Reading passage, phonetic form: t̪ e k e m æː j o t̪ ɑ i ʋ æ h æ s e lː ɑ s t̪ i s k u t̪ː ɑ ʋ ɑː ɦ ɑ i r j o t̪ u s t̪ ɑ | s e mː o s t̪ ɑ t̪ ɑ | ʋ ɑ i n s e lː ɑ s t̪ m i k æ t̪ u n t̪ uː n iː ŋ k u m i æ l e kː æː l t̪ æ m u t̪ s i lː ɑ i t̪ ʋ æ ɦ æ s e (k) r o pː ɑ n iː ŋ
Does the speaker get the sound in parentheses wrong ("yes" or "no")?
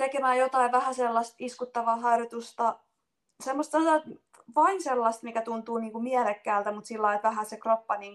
no